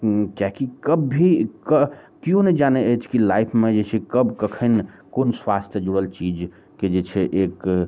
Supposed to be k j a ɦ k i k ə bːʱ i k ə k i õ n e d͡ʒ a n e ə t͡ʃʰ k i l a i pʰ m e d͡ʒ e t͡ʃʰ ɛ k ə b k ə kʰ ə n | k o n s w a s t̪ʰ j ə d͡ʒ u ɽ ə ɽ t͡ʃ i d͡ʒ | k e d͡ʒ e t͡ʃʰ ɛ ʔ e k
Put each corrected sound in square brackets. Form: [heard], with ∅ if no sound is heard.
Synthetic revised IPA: k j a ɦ k i k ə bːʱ i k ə k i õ n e d͡ʒ a n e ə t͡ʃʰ k i l a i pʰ m e d͡ʒ e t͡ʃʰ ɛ k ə b k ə kʰ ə n | k o n s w a s t̪ʰ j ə d͡ʒ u ɽ ə [l] t͡ʃ i d͡ʒ | k e d͡ʒ e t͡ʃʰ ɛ ʔ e k